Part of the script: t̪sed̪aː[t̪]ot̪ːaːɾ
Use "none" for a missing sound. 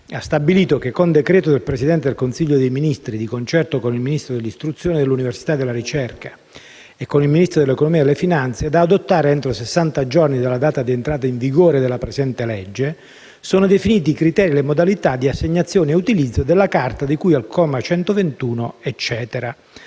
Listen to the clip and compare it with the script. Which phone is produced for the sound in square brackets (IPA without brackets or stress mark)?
d̪